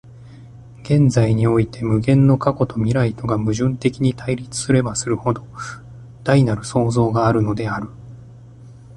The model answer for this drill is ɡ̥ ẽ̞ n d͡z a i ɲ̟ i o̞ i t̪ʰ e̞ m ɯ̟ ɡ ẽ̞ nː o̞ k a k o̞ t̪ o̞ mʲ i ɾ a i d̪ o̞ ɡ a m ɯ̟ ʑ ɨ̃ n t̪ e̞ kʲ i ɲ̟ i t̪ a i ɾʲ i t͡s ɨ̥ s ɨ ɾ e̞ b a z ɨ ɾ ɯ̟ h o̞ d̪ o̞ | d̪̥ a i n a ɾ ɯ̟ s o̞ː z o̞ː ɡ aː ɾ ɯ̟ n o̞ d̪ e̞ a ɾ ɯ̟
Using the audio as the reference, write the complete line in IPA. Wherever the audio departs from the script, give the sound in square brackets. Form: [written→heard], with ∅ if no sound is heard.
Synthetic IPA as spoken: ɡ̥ ẽ̞ n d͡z a i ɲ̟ i o̞ i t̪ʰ e̞ m ɯ̟ ɡ ẽ̞ nː o̞ k a k o̞ t̪ o̞ mʲ i ɾ a i [d̪→t̪] o̞ ɡ a m ɯ̟ ʑ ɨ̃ n t̪ e̞ kʲ i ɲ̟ i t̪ a i ɾʲ i t͡s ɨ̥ s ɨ ɾ e̞ b a [z→s] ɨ ɾ ɯ̟ h o̞ d̪ o̞ | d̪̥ a i n a ɾ ɯ̟ s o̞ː z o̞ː ɡ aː ɾ ɯ̟ n o̞ d̪ e̞ a ɾ ɯ̟